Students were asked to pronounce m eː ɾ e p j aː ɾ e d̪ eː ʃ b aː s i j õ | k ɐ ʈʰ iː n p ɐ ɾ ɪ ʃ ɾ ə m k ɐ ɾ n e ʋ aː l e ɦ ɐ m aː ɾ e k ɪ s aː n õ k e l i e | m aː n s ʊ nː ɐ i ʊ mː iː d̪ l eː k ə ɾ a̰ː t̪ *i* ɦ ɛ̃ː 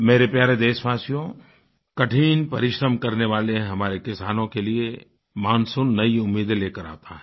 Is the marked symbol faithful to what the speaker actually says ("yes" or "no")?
no